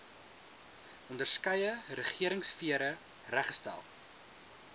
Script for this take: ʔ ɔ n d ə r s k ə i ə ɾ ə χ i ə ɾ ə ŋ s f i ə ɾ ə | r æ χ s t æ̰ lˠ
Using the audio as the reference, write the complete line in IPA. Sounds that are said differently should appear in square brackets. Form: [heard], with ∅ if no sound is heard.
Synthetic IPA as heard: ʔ ɔ n d ə r s k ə [j] ə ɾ ə χ i ə ɾ ə ŋ s f i ə ɾ ə | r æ χ s t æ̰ lˠ